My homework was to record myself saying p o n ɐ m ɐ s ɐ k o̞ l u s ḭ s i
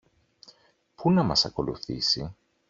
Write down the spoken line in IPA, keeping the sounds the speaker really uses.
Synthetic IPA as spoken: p u n ɐ m ɐ s ɐ k o̞ l u θ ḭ s i